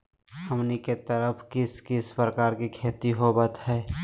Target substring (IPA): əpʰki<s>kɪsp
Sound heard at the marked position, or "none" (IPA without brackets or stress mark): s